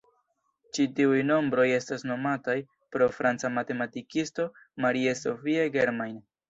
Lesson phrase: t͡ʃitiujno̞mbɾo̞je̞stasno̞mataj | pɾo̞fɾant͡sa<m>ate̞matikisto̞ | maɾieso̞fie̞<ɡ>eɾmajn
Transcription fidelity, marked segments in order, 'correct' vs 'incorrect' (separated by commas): correct, correct